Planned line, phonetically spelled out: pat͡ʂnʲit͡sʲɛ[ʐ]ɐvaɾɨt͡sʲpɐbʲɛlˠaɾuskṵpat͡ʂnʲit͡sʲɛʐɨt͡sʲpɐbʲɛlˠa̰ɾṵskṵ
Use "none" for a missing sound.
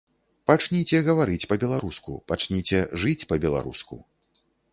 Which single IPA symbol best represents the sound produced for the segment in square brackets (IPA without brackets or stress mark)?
ɣ